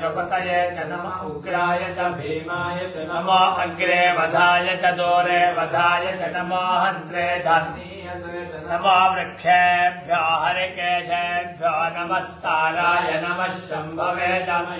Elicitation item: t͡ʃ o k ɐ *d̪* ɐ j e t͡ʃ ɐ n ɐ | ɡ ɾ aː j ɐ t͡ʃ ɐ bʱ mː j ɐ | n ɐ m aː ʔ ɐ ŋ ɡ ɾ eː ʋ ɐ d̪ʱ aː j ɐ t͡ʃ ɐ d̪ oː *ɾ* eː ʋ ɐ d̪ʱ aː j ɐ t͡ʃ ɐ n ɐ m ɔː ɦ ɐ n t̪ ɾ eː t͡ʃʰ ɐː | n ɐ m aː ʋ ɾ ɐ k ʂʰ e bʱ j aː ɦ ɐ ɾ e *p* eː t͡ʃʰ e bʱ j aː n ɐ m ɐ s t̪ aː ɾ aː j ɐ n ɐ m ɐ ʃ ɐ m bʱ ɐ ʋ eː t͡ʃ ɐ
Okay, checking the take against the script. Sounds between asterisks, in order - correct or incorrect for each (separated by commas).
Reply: incorrect, correct, incorrect